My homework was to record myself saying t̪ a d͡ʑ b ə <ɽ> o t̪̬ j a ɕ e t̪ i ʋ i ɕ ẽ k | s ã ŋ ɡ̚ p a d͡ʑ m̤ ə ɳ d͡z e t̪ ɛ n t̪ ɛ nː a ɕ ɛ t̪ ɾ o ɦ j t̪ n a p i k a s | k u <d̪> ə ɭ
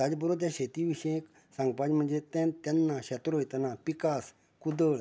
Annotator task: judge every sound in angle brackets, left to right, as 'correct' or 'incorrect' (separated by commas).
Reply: incorrect, correct